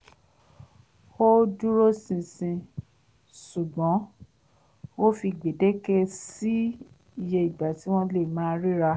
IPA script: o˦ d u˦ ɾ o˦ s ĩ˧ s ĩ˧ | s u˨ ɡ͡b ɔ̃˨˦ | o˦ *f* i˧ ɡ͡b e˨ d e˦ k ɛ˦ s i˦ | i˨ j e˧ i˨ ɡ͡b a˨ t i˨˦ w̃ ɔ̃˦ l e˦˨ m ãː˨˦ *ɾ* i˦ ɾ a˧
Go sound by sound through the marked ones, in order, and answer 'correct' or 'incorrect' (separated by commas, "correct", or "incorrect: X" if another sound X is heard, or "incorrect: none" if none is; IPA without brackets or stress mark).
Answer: correct, correct